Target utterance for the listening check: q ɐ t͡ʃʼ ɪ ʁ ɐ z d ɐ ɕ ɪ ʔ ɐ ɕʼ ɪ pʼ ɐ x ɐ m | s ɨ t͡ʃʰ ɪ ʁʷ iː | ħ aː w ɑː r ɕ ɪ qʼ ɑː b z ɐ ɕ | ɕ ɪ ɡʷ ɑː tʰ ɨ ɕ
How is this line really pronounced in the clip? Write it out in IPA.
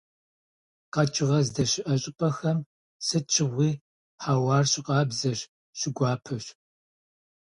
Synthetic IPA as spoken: q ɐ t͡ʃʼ ɪ ʁ ɐ z d ɐ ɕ ɪ ʔ ɐ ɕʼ ɪ pʼ ɐ x ɐ m | s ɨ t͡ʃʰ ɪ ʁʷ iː | ħ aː w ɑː r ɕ ɪ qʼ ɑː b z ɐ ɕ | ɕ ɪ ɡʷ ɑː pʰ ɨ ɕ